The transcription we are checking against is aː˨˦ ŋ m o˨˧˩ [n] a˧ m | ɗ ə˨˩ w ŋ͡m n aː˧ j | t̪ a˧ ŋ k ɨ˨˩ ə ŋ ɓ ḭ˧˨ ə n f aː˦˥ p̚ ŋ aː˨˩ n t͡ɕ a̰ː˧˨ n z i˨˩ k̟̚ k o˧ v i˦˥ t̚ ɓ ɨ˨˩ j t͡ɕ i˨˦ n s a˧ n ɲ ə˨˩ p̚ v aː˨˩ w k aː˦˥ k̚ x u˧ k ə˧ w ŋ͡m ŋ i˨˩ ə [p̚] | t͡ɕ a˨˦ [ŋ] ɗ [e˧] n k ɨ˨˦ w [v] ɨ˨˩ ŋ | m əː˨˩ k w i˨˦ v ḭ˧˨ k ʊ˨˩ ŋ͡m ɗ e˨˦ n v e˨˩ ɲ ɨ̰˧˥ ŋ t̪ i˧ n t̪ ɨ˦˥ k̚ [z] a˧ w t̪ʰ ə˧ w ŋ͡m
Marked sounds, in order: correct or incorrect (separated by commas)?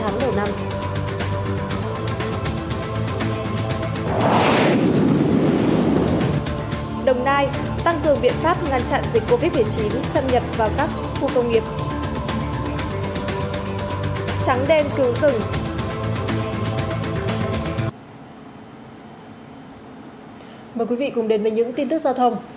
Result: correct, correct, correct, correct, incorrect, correct